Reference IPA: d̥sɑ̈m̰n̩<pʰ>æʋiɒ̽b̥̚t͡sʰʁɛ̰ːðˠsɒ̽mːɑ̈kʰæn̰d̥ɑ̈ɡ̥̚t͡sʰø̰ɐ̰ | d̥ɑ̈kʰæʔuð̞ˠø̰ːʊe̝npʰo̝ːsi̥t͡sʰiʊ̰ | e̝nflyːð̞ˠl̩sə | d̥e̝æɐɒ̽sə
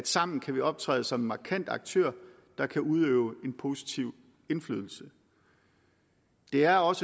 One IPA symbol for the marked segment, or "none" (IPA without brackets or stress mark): kʰ